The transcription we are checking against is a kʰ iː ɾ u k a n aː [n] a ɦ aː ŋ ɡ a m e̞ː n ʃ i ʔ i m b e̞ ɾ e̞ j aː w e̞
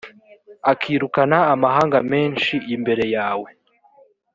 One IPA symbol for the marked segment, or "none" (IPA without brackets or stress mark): m